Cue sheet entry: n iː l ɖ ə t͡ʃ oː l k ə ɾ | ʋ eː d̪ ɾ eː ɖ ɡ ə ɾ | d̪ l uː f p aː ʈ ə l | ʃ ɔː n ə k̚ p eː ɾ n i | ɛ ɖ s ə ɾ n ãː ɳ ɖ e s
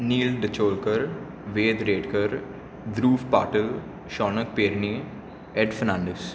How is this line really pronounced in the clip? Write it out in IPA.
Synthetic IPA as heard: n iː l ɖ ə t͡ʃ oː l k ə ɾ | ʋ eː d̪ ɾ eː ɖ k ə ɾ | d̪ ɾ uː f p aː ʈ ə l | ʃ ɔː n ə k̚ p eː ɾ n i | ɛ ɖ f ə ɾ n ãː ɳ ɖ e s

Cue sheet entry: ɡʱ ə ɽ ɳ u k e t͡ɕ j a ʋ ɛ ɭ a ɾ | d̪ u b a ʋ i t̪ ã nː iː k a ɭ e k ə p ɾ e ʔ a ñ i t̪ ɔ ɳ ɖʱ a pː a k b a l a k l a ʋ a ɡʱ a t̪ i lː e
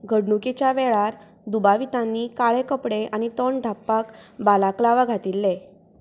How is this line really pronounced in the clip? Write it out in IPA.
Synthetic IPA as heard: ɡʱ ə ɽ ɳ u k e t͡ɕ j a ʋ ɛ ɭ a ɾ | d̪ u b a ʋ i t̪ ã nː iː k a ɭ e k ə p ɽ e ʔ a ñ i t̪ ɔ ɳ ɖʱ a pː a k b a l a k l a ʋ a ɡʱ a t̪ i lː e

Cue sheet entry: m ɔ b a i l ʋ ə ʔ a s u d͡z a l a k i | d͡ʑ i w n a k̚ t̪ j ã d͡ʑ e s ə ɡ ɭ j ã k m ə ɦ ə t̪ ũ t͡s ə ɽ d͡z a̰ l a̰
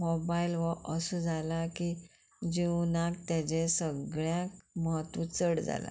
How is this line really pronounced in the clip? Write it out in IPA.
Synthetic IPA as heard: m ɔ b a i l ʋ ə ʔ ə s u d͡z a l a k i | d͡ʑ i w n a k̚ t̪ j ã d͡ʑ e s ə ɡ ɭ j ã k m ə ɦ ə t̪ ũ t͡s ə ɽ d͡z a̰ l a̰

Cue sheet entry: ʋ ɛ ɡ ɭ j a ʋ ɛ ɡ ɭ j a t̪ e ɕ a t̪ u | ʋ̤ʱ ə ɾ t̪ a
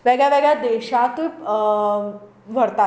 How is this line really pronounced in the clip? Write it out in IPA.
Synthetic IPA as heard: ʋ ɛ ɡ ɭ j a ʋ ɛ ɡ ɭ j a d̪ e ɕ a t̪ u | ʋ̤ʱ ə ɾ t̪ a

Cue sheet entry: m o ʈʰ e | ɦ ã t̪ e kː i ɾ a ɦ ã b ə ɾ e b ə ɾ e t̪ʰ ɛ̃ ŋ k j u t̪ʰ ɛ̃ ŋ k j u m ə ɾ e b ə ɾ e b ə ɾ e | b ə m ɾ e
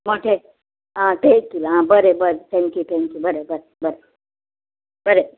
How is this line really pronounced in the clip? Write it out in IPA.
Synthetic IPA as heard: m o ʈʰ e | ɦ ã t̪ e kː i l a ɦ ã b ə ɾ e b ə ɾ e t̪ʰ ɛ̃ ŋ k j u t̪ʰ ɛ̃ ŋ k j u b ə ɾ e b ə ɾ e b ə ɾ e | b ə ɾ e

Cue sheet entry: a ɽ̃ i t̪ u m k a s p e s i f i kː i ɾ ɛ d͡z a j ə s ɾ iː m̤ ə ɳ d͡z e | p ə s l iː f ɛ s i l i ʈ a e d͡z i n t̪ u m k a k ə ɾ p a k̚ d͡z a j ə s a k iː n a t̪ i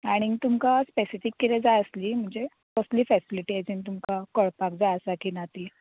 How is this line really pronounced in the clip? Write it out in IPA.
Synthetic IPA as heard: a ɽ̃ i t̪ u m k a s p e s i f i kː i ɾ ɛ d͡z a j ə s l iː m̤ ə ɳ d͡z e | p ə s l iː f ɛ s i l i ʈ i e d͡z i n t̪ u m k a k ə ɭ p a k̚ d͡z a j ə s a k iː n a t̪ i

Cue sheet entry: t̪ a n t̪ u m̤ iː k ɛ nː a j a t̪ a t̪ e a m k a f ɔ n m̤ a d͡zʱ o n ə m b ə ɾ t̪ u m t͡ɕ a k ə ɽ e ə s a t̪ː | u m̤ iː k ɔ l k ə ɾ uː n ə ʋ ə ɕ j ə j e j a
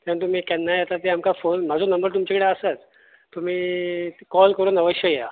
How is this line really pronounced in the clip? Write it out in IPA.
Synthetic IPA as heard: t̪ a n t̪ u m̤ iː k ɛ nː a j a t̪ a t̪ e a m k a f o n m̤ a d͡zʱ o n ə m b ə ɾ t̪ u m t͡ɕ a k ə ɽ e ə s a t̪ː | u m̤ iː k ɔ l k ə ɾ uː n ə ʋ ə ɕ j ə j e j a

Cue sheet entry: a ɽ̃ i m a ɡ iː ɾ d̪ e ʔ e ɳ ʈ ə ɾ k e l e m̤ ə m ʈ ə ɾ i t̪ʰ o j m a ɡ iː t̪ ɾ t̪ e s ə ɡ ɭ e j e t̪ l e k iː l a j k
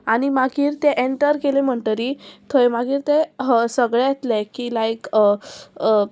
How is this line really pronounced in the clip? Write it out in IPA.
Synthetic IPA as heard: a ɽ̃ i m a ɡ iː ɾ t̪ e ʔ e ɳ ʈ ə ɾ k e l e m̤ ə ɳ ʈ ə ɾ i t̪ʰ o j m a ɡ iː ɾ t̪ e s ə ɡ ɭ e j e t̪ l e k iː l a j k

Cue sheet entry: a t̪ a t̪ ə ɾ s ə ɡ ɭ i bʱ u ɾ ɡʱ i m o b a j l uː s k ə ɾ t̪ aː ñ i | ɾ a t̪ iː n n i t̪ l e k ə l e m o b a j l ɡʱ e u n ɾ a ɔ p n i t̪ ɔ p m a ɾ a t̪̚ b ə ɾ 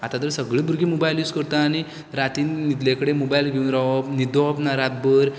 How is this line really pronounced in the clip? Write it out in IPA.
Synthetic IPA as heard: a t̪ a t̪ ə ɾ s ə ɡ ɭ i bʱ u ɾ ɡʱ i m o b a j l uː s k ə ɾ t̪ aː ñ i | ɾ a t̪ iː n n i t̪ l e k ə ɽ e m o b a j l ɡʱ e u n ɾ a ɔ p n i d̪ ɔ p n a ɾ a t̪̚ b ə ɾ

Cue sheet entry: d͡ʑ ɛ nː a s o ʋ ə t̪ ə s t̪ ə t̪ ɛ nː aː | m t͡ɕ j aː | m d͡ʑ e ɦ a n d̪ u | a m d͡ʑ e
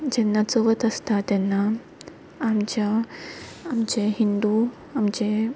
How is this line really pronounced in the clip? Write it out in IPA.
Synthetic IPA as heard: d͡ʑ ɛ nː a t͡s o ʋ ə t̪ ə s t̪ a t̪ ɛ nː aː | m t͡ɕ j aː | m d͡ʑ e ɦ i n d̪ u | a m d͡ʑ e

